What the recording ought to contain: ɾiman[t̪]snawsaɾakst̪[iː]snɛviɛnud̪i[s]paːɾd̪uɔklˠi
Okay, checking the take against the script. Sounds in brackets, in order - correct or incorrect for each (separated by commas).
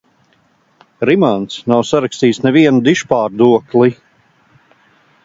correct, correct, incorrect